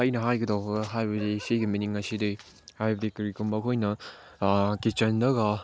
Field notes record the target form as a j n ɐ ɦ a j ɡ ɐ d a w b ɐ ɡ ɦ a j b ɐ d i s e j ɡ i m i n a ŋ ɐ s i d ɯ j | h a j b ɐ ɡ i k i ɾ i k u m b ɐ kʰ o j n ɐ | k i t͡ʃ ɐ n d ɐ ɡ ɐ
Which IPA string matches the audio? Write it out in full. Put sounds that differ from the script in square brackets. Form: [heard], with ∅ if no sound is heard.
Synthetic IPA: a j n ɐ ɦ a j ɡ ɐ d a w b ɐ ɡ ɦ a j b ɐ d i s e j ɡ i m i n [i] ŋ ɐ s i d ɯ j | h a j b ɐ [d] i k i ɾ i k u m b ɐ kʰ o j n ɐ | k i t͡ʃ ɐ n d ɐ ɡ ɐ